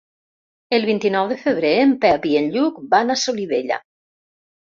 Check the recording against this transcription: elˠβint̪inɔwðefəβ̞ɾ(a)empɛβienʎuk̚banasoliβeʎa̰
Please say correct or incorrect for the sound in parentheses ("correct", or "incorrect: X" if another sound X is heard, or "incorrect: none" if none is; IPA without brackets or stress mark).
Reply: incorrect: e